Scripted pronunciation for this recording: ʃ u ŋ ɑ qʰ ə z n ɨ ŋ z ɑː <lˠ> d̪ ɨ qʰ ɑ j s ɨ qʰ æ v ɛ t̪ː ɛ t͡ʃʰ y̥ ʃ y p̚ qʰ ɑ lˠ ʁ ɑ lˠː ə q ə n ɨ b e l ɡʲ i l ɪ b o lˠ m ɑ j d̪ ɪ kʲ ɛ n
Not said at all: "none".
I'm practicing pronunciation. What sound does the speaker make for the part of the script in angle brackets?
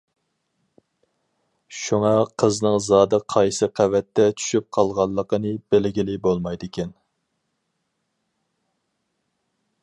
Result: none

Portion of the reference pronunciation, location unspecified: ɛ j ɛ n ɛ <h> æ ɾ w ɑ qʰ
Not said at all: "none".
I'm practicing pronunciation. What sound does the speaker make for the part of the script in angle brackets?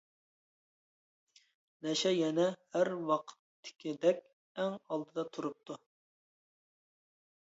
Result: h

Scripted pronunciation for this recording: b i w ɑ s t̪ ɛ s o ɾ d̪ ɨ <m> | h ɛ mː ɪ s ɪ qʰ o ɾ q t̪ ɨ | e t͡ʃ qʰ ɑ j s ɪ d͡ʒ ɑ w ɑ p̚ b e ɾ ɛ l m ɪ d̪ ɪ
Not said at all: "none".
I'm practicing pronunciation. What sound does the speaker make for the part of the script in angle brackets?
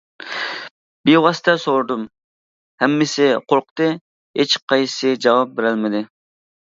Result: m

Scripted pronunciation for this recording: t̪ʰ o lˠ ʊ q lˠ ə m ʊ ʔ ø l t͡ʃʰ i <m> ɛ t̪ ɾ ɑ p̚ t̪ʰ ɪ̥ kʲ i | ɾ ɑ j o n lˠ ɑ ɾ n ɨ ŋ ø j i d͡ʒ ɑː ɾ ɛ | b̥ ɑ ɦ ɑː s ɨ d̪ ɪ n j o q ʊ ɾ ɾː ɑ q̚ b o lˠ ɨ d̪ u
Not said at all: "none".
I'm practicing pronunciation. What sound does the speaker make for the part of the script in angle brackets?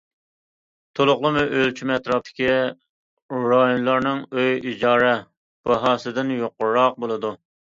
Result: m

